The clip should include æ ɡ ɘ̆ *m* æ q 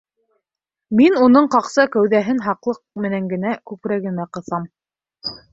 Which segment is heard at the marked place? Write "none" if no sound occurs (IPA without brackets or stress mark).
m